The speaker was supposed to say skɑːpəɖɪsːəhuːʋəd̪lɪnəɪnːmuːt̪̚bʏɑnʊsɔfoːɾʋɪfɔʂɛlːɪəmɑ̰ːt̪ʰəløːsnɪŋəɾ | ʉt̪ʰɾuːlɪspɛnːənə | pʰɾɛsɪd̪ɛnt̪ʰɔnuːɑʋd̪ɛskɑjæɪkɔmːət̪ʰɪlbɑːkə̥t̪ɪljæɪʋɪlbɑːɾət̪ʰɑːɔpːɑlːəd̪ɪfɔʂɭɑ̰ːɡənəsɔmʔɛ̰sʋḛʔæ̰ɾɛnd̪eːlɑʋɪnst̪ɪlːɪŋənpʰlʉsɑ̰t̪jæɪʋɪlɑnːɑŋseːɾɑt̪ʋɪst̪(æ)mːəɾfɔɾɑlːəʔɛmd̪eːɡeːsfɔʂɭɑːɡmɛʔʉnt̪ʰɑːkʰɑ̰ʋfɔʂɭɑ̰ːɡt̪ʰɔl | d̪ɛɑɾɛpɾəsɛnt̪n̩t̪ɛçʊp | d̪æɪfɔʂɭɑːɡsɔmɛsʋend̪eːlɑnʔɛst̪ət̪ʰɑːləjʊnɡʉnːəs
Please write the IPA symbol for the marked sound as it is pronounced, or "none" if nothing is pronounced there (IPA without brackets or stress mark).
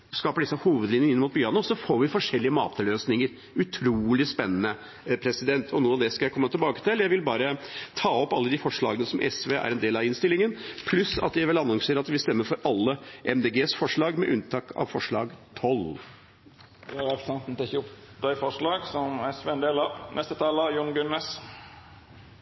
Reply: ɛ